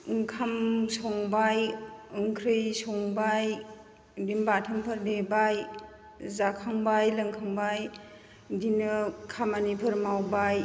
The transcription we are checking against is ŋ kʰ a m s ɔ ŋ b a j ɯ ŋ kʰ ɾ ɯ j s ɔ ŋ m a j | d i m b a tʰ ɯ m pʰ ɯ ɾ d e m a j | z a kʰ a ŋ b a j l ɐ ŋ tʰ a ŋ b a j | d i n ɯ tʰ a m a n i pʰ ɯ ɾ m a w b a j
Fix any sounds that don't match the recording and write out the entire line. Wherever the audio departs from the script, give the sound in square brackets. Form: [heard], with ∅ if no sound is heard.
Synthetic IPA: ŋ kʰ a m s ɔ ŋ b a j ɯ ŋ kʰ ɾ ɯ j s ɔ ŋ [b] a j | d i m b a tʰ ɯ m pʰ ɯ ɾ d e [b] a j | z a kʰ a ŋ b a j l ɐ ŋ [kʰ] a ŋ b a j | d i n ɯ [kʰ] a m a n i pʰ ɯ ɾ m a w b a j

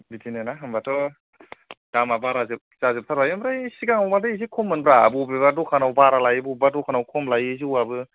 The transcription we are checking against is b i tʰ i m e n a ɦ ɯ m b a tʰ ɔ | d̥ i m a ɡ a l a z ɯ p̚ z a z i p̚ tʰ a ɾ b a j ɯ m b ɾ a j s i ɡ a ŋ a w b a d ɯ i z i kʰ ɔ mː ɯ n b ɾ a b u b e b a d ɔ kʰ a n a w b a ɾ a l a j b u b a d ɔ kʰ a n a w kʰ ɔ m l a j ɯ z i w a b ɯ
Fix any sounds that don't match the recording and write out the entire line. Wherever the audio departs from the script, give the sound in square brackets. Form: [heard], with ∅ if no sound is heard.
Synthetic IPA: b i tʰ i [n] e n a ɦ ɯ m b a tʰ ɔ | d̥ [a] m a [b] a [ɾ] a z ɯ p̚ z a z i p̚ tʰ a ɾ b a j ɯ m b ɾ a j s i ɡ a ŋ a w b a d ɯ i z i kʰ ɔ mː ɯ n b ɾ a b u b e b a d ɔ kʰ a n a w b a ɾ a l a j b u b a d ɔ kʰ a n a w kʰ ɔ m l a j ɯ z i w a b ɯ

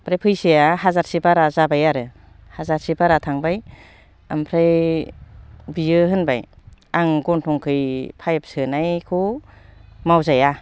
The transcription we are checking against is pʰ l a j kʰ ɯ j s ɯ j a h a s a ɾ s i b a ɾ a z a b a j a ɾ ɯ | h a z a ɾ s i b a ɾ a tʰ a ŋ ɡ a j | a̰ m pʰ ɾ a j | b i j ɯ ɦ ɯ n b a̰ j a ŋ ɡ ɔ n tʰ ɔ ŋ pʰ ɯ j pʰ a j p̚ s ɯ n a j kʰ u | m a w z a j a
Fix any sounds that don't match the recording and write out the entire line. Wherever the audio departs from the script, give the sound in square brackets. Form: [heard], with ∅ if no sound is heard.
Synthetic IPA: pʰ [ɾ] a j [pʰ] ɯ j s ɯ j a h a [z] a ɾ s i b a ɾ a z a b a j a ɾ ɯ | h a z a ɾ s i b a ɾ a tʰ a ŋ [b] a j | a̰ m pʰ ɾ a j | b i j ɯ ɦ ɯ n b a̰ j a ŋ ɡ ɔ n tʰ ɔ ŋ [kʰ] ɯ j pʰ a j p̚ s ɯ n a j kʰ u | m a w z a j a

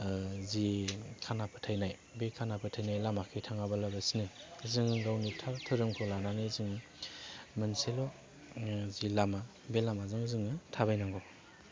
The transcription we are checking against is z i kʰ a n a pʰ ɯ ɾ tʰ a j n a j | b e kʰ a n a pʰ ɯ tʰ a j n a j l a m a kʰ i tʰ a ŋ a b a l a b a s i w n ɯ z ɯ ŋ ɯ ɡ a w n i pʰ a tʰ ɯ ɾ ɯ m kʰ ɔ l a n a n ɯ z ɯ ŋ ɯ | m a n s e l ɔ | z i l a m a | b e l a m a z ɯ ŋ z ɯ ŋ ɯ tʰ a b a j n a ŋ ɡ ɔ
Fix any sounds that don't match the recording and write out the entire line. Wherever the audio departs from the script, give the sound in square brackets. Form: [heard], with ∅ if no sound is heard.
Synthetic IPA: z i kʰ a n a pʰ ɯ [∅] tʰ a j n a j | b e kʰ a n a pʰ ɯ tʰ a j n a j l a m a kʰ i tʰ a ŋ a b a l a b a s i [∅] n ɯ z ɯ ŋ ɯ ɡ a w n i [tʰ] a tʰ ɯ ɾ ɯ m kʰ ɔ l a n a n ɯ z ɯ ŋ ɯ | m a n s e l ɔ | z i l a m a | b e l a m a z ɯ ŋ z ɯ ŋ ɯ tʰ a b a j n a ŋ ɡ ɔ

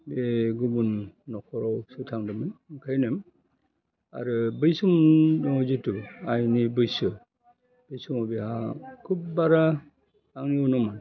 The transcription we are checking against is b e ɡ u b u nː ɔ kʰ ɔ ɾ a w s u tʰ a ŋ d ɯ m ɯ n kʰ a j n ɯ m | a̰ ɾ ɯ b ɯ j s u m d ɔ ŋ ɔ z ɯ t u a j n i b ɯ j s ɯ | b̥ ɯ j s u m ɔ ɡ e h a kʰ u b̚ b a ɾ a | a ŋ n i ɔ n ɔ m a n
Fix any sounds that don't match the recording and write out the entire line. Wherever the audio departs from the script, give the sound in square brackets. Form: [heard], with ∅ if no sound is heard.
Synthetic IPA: b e ɡ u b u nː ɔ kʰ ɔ ɾ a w s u tʰ a ŋ d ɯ m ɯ n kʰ a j n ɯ m | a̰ ɾ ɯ b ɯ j s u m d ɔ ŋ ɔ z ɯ t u a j n i b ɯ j s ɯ | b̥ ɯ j s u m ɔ [b] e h a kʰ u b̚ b a ɾ a | a ŋ n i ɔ n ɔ m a n

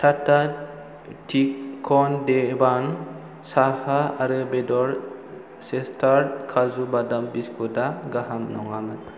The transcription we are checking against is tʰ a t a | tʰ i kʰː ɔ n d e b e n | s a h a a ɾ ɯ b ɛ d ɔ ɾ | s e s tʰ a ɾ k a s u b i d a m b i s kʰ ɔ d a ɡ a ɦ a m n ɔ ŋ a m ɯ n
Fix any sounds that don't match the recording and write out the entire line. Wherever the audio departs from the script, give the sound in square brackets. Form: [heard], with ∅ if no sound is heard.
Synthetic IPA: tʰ a t a | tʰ i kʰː ɔ n d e b [a] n | s a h a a ɾ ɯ b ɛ d ɔ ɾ | s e s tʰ a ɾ [kʰ] a [z] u b [a] d a m b i s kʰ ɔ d a ɡ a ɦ a m n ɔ ŋ a m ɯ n

